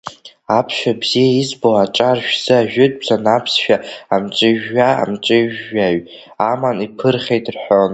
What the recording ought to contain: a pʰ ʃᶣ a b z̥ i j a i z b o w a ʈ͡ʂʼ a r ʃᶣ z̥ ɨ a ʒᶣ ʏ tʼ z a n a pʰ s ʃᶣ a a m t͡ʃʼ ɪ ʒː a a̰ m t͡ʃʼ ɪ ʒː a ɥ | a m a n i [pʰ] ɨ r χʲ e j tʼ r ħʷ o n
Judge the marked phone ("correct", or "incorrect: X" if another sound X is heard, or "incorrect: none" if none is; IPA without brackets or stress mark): correct